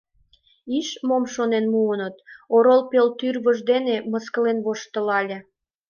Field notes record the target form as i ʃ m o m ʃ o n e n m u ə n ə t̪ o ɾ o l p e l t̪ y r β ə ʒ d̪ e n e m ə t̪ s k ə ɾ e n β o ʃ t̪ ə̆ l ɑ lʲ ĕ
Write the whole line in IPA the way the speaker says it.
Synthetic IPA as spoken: i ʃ m o m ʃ o n e n m u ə n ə t̪ o ɾ o l p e l t̪ y r β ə ʒ d̪ e n e m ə s k ə l e n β o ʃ t̪ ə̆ l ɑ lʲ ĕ